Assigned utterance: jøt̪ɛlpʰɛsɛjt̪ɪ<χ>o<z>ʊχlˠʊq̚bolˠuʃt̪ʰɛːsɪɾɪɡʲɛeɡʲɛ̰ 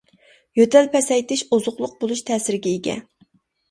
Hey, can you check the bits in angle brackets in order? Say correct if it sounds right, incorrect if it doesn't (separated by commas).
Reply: incorrect, correct